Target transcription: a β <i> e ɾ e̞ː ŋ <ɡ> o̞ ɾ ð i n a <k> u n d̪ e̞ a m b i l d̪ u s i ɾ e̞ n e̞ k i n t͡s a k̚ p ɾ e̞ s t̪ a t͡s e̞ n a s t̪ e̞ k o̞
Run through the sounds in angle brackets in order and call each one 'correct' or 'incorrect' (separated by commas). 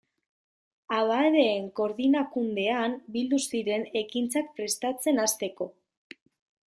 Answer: incorrect, incorrect, correct